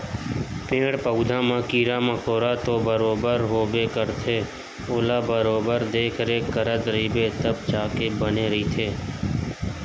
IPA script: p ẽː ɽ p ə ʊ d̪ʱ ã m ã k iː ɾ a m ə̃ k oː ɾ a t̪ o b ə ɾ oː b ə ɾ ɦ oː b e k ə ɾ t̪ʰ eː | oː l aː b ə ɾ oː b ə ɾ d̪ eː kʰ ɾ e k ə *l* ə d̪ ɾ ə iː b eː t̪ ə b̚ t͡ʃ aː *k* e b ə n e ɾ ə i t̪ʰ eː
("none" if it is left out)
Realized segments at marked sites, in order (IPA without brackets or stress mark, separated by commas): ɾ, k